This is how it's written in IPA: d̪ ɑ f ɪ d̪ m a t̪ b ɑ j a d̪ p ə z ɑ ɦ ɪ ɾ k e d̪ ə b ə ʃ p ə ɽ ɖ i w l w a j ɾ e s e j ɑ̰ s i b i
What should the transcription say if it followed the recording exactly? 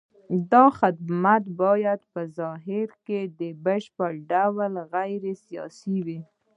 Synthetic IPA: d̪ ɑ x ɪ d̪ m a t̪ b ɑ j a d̪ p ə z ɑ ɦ ɪ ɾ k e d̪ ə b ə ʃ p ə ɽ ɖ a w l ɣ a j ɾ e s i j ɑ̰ s i w i